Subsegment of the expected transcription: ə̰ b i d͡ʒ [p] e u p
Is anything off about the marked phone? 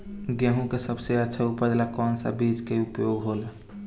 yes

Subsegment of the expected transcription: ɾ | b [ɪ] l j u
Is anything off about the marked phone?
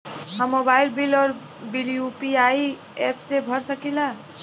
yes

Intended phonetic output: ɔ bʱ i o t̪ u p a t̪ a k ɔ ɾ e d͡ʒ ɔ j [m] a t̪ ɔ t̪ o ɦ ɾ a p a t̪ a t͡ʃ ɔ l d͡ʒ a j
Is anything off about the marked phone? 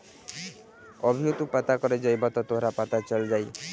yes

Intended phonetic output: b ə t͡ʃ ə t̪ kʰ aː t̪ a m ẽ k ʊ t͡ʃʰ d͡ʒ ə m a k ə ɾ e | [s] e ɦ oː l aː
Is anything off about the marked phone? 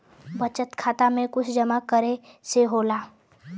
no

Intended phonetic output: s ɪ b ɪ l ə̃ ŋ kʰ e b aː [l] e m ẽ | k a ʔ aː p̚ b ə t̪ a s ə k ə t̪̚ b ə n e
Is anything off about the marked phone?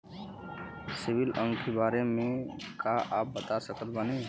yes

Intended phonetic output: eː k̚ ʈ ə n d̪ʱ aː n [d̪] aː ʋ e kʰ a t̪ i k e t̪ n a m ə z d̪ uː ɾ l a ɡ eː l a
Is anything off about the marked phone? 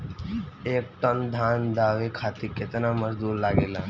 no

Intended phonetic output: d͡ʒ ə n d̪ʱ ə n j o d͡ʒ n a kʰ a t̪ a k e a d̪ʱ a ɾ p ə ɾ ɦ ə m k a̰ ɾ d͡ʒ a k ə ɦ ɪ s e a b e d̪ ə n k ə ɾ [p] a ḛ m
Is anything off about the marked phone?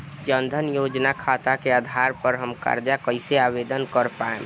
no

